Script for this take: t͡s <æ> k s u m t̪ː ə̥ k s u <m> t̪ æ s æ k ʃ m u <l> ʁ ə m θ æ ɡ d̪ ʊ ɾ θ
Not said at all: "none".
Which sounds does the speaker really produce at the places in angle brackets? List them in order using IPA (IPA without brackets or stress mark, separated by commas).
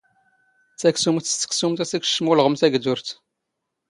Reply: æ, m, l